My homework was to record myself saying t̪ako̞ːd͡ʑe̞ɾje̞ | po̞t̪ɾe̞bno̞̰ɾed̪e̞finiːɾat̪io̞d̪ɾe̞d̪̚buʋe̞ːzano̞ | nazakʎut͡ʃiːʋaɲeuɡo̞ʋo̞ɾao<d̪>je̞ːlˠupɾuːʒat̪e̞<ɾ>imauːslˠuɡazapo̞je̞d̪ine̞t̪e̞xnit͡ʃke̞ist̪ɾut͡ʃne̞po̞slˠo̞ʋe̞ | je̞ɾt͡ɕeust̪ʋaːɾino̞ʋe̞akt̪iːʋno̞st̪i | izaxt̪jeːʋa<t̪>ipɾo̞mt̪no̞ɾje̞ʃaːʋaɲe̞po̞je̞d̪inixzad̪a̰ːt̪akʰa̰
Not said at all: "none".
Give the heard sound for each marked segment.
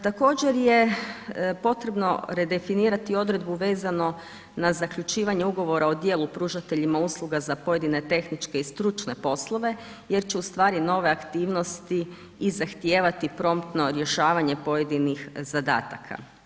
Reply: d̪, ʎ, t̪

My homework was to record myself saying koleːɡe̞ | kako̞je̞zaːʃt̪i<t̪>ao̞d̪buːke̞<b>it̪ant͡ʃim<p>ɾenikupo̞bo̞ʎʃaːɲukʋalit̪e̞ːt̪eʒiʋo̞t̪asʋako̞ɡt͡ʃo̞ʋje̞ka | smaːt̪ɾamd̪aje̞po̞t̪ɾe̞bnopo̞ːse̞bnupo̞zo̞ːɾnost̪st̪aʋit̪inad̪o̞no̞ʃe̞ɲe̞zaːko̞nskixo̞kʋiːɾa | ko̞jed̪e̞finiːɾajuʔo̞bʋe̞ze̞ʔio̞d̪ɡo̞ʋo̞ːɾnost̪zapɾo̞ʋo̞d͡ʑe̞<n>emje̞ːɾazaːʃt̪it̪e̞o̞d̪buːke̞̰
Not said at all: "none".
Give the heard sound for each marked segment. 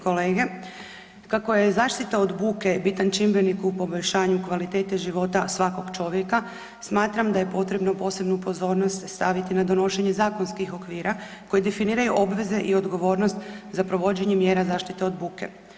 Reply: t̪, b, b, ɲ

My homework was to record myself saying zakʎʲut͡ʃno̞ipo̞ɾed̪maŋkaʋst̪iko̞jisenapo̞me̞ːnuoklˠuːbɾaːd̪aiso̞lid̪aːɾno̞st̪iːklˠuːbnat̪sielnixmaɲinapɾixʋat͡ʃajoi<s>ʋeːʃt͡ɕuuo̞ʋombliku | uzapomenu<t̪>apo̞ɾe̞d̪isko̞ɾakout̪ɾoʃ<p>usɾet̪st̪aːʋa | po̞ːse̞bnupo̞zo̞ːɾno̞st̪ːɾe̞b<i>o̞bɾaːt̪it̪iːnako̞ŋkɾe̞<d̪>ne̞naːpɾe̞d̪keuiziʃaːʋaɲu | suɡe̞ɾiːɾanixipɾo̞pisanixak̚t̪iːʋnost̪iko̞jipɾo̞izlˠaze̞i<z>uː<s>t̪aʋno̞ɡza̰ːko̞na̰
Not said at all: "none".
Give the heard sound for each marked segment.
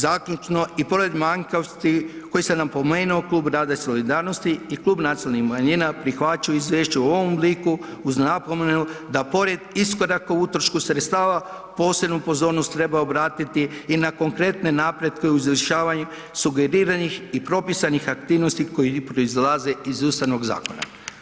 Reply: z, d̪, k, a, t̪, z, s

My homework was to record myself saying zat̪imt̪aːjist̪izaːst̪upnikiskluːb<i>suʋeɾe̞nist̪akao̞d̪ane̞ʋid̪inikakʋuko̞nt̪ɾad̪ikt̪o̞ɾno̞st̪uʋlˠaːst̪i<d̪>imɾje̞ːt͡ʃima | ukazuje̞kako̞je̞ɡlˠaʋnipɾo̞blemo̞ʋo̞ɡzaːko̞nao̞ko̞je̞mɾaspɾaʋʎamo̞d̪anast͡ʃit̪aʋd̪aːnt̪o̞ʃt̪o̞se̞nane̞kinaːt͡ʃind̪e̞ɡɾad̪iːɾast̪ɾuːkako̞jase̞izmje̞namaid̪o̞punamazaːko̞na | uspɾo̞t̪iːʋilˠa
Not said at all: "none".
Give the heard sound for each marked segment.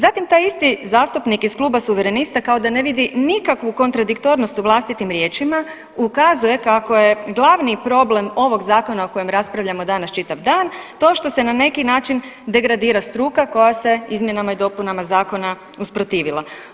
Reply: a, t̪

